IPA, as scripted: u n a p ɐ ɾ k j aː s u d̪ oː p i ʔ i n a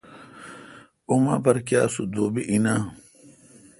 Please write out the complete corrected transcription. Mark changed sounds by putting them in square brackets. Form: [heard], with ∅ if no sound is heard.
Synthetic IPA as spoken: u [m] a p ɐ ɾ k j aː s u d̪ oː [b] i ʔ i n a